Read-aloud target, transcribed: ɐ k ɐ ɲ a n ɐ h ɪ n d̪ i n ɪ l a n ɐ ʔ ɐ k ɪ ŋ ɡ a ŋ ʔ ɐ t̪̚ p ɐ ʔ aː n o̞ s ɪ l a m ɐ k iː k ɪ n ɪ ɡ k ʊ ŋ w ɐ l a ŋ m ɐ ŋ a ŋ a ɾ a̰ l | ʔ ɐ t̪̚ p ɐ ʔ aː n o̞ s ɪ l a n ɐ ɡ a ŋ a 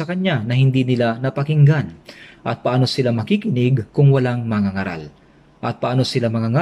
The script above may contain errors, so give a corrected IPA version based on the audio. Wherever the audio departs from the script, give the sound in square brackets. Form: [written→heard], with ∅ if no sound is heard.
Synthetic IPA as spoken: ɐ k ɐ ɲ a n ɐ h ɪ n d̪ i n ɪ l a n ɐ [ʔ→p] ɐ k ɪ ŋ ɡ a [ŋ→n] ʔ ɐ t̪̚ p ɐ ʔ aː n o̞ s ɪ l a m ɐ k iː k ɪ n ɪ ɡ k ʊ ŋ w ɐ l a ŋ m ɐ ŋ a ŋ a ɾ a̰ l | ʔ ɐ t̪̚ p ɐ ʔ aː n o̞ s ɪ l a [n→m] ɐ [ɡ→ŋ] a ŋ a